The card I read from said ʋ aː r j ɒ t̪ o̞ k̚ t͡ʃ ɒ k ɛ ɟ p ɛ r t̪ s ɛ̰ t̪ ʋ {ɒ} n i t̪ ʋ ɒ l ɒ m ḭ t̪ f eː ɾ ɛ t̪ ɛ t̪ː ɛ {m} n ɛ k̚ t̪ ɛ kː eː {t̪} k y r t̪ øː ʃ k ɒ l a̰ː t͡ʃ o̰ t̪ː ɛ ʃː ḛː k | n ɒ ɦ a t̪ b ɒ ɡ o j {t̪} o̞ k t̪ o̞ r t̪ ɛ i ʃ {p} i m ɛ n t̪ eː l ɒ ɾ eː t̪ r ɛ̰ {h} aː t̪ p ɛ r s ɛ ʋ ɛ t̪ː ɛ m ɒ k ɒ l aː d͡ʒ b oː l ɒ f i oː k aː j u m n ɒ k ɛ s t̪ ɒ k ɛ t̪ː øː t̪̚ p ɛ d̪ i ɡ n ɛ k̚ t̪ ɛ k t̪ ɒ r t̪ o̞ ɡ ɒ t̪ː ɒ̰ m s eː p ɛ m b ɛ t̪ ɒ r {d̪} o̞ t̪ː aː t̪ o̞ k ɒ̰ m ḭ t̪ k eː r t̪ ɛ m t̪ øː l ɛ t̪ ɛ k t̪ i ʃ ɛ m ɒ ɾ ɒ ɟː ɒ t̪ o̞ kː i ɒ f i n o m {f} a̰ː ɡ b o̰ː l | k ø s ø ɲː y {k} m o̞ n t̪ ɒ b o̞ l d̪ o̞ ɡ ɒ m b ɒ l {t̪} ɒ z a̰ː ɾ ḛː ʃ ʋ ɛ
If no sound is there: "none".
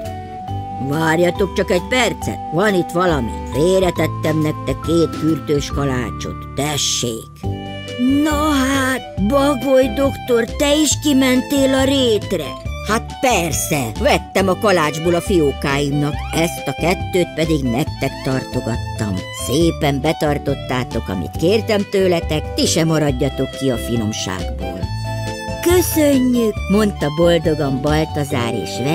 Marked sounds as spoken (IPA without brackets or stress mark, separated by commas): ɒ, m, t̪, d̪, k, h, t̪, ʃ, k, t̪